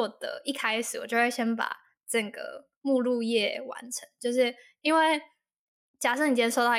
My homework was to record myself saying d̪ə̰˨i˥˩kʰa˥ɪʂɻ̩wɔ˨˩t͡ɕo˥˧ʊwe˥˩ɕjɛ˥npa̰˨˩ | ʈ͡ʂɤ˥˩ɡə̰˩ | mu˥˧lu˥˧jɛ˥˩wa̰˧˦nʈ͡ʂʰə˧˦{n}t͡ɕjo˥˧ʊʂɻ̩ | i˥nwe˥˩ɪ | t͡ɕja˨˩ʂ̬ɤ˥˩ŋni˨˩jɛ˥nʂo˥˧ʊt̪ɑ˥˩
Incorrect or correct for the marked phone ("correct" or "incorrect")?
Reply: incorrect